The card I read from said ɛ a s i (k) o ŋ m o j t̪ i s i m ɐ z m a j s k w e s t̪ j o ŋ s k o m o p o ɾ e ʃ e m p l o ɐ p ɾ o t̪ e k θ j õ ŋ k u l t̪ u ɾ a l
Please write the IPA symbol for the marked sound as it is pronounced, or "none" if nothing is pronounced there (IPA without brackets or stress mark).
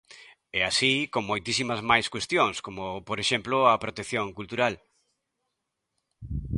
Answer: k